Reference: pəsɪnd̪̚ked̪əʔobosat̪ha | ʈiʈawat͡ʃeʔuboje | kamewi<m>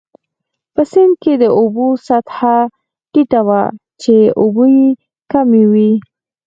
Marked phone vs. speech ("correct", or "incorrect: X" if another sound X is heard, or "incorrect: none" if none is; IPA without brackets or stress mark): incorrect: none